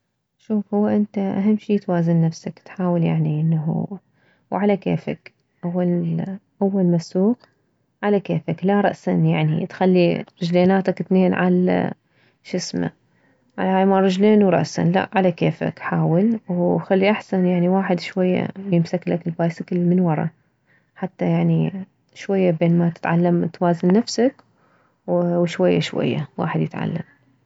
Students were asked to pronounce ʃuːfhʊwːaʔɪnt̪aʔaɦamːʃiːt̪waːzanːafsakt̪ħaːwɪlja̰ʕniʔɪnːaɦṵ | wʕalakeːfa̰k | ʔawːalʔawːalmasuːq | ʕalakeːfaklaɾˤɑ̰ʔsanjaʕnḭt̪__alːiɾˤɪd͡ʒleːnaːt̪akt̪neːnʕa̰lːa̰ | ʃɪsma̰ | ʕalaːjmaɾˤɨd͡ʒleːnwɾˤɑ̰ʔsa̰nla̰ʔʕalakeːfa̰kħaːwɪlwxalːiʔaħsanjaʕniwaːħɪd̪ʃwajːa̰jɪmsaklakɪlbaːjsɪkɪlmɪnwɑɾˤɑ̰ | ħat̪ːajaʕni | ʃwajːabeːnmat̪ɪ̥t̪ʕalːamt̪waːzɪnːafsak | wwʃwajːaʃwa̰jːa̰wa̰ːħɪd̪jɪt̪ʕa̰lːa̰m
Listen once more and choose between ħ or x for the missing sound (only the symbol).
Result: x